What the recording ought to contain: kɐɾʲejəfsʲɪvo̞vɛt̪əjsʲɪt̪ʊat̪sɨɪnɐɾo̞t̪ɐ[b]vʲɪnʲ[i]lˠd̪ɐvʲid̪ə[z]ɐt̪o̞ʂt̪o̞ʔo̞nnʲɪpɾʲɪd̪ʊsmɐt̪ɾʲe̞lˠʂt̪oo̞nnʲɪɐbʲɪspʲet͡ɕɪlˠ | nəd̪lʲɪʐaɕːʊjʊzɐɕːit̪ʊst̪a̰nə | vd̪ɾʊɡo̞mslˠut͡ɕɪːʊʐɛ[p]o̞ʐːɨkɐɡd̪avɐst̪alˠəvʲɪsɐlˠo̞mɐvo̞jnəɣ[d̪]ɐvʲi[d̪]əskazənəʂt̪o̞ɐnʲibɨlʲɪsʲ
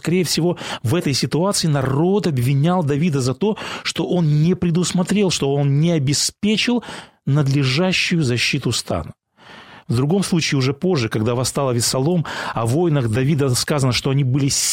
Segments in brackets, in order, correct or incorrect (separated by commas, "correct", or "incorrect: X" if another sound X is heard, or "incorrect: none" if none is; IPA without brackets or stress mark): correct, incorrect: a, correct, correct, correct, correct